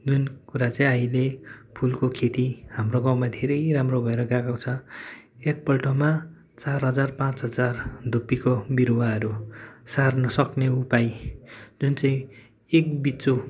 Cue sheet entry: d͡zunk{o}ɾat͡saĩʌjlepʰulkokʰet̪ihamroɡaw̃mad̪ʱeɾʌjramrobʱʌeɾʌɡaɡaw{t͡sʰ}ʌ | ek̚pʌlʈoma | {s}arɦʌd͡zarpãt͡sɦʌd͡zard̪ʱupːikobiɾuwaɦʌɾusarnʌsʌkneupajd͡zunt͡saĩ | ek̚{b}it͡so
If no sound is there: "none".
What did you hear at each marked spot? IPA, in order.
u, t͡sʰ, t͡s, b

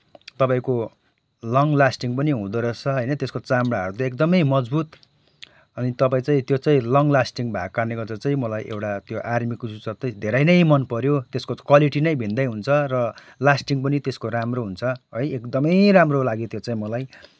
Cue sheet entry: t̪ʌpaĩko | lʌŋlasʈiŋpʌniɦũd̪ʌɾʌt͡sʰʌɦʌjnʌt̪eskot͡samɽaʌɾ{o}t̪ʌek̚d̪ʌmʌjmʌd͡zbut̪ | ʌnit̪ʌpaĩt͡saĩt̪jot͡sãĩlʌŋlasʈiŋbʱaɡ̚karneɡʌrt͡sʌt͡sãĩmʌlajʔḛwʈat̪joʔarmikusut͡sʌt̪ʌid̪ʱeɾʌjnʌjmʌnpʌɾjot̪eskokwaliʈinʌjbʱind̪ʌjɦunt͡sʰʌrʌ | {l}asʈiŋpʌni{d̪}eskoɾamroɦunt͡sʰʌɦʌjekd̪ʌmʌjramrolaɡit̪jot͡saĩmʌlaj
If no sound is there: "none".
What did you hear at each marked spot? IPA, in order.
u, l, t̪

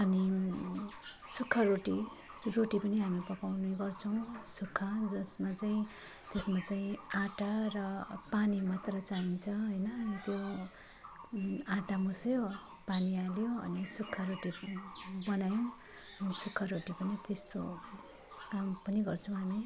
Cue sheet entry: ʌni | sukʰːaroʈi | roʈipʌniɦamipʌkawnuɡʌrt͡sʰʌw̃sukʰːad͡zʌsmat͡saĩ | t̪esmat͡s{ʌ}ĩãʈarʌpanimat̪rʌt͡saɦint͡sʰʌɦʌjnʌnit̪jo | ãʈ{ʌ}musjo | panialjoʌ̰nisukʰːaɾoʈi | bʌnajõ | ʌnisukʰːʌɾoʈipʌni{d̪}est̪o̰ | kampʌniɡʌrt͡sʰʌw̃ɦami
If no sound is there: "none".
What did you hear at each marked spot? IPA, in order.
a, a, t̪

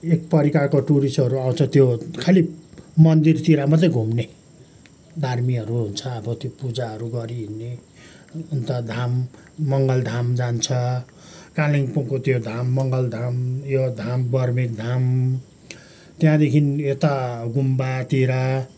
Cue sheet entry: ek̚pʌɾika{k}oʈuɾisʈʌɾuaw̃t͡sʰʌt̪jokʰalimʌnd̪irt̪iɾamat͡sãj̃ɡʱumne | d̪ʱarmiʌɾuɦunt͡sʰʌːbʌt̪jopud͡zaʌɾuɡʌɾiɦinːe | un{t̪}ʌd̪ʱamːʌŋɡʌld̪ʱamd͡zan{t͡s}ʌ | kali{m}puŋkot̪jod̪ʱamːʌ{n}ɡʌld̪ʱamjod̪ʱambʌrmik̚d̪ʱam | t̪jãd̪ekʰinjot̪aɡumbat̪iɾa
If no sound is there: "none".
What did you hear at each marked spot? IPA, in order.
k, t̪, t͡sʰ, ŋ, ŋ

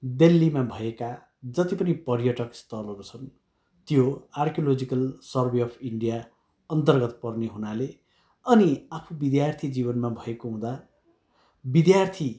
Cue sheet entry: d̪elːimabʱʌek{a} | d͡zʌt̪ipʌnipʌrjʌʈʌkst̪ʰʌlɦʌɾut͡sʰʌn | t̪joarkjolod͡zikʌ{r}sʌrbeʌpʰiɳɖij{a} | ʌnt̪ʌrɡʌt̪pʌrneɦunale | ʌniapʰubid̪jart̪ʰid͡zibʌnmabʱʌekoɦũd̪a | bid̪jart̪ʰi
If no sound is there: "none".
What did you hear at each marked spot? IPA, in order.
a, l, a

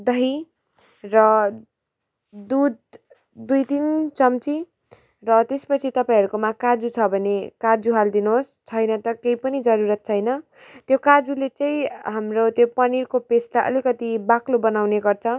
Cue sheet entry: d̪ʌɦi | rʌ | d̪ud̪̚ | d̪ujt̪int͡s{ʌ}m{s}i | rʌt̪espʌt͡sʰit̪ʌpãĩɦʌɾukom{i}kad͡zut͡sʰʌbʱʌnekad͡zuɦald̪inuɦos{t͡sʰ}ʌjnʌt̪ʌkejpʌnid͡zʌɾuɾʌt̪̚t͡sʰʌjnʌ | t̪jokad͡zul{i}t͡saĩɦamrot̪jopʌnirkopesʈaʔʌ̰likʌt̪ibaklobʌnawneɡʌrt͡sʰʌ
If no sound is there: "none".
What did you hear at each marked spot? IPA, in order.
ʌ, t͡s, a, t͡sʰ, e

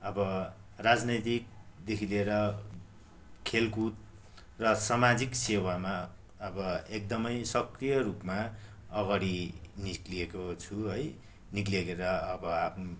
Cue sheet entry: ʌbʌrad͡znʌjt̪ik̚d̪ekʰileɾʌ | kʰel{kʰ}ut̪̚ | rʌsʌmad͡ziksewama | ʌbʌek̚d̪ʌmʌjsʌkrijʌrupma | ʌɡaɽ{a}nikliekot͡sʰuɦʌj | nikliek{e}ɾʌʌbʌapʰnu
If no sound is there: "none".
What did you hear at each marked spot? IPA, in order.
k, i, e

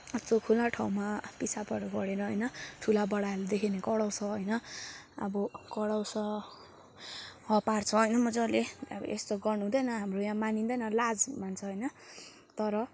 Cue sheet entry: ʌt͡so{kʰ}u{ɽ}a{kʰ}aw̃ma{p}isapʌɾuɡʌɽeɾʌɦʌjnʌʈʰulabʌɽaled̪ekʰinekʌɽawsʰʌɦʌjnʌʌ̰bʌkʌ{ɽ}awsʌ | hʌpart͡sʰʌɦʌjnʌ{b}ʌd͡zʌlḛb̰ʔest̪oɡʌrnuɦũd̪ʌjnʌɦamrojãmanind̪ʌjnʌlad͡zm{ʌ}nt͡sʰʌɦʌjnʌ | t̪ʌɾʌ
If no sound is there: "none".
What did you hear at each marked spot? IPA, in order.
kʰ, l, ʈʰ, p, ɽ, m, a

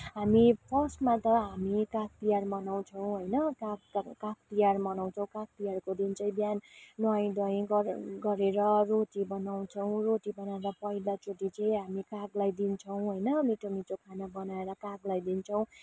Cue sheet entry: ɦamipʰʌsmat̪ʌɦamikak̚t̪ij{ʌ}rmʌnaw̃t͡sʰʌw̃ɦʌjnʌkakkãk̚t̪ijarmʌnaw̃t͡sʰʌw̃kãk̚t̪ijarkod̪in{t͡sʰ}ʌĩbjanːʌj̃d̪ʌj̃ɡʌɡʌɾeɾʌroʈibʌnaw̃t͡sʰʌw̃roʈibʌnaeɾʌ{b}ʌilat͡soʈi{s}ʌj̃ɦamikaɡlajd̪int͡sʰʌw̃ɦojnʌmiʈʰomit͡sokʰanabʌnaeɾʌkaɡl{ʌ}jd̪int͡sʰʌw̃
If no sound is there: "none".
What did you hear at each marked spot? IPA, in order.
a, t͡s, p, t͡s, a

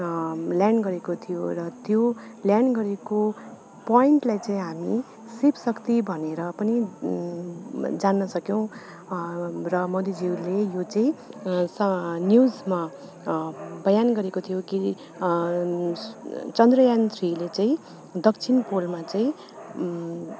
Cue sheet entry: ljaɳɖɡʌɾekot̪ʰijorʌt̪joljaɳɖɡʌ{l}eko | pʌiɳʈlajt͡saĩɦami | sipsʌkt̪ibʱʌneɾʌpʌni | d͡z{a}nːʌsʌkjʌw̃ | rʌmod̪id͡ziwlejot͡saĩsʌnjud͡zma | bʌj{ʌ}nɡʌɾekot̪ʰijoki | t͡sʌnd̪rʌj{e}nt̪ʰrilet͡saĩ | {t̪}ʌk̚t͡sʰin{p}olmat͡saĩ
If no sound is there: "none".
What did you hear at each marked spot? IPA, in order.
ɾ, a, a, a, d̪, p

